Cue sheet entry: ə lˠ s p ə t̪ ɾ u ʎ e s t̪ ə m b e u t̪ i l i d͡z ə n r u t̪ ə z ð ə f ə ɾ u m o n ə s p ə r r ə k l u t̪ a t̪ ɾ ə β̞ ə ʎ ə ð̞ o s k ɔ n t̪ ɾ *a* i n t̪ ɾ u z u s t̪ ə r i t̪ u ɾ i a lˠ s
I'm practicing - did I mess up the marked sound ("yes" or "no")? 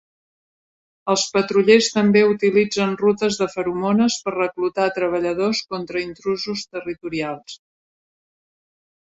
yes